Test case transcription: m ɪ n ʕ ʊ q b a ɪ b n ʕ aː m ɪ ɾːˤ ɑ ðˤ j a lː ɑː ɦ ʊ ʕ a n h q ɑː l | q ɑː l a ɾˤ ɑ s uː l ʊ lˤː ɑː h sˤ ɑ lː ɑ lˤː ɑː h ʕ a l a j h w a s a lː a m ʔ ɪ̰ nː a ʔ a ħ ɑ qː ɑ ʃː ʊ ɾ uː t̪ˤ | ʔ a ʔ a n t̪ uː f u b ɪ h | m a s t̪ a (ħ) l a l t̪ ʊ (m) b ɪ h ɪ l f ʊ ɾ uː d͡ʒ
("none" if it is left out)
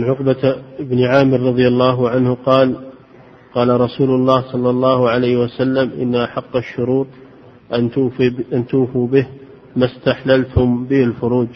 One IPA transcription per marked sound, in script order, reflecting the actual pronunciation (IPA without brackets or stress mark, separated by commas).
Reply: ħ, m